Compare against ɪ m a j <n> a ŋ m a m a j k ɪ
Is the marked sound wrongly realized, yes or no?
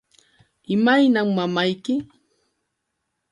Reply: no